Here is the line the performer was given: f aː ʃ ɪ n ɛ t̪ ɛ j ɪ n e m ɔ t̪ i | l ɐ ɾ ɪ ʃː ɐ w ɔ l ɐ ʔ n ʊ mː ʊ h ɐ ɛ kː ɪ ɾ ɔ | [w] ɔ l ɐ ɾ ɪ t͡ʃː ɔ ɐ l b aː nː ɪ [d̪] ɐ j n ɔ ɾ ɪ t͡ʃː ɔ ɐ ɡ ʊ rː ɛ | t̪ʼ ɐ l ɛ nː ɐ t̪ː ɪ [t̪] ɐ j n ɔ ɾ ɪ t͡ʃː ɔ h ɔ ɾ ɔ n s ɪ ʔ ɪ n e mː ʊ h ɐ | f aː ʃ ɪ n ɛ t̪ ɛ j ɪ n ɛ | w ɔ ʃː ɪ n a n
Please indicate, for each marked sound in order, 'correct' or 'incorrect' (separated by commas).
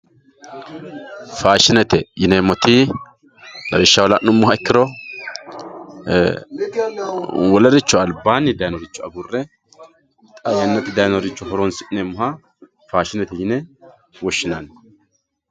correct, correct, incorrect